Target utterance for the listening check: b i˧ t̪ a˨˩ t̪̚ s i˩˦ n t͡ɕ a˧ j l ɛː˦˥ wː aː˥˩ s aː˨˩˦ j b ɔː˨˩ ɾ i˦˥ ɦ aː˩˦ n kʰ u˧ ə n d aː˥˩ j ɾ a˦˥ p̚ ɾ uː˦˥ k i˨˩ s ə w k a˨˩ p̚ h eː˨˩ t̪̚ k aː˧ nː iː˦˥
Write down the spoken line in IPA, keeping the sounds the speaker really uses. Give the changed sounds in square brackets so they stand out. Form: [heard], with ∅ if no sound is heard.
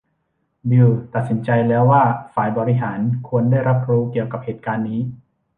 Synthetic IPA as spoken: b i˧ t̪ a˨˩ t̪̚ s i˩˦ n t͡ɕ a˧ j l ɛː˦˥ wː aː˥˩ [f] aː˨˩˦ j b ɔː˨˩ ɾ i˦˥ ɦ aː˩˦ n kʰ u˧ ə n d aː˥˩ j ɾ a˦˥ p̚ ɾ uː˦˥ k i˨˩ [∅] ə w k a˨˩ p̚ h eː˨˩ t̪̚ k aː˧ nː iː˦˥